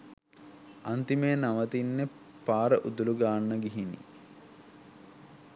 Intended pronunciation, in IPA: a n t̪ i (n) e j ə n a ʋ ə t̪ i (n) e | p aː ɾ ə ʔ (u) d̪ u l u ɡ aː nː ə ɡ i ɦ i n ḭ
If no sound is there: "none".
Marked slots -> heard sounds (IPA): m, nː, u

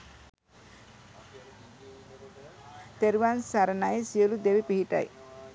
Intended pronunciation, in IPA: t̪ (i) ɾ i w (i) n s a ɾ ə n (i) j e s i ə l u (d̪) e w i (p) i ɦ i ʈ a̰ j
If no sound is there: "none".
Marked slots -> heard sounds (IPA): e, a, a, d̪, p

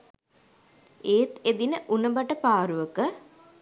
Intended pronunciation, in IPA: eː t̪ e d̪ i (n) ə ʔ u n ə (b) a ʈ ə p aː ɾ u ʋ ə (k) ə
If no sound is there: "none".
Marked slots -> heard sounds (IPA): n, b, k

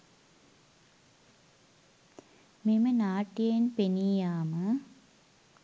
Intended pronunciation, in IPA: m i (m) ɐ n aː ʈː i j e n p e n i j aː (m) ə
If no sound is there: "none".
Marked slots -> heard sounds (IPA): m, m

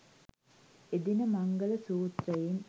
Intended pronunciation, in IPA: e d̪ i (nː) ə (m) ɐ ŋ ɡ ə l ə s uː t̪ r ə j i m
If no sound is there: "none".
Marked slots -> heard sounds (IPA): n, m

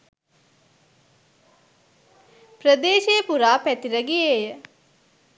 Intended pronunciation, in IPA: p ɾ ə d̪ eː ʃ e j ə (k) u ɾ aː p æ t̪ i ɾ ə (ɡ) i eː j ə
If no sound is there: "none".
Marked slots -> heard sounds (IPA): p, ɡ

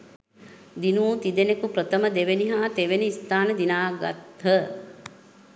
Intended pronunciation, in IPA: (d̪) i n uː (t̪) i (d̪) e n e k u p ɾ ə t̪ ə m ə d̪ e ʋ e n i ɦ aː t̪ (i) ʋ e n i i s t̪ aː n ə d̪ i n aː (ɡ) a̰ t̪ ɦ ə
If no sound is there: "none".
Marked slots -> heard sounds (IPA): d̪, t̪, d̪, e, ɡ

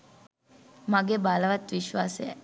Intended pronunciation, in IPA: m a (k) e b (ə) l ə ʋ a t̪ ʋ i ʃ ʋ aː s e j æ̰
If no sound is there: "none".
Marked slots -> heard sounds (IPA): ɡ, a

